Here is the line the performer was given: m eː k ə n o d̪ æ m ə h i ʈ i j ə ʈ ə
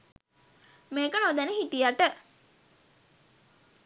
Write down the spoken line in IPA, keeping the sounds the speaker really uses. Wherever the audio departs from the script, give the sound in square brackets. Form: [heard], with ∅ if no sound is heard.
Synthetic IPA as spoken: m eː k ə n o d̪ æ [n] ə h i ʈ i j [a] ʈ ə